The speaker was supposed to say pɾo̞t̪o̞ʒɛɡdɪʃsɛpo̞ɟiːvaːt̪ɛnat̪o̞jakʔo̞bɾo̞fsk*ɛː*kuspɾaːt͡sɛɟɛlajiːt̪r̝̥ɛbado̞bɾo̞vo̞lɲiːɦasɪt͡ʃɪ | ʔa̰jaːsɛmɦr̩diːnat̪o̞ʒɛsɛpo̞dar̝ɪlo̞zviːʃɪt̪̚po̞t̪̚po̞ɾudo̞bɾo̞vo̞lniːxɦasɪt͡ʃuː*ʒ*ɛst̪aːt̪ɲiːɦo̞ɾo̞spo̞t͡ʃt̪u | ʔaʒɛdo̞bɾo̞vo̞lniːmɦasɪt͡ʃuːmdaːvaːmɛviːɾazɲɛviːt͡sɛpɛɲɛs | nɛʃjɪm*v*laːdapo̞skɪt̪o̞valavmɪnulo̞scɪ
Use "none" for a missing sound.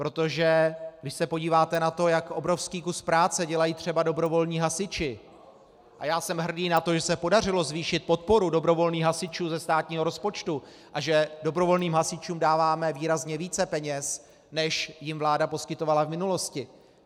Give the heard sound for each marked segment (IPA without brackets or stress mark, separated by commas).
iː, z, v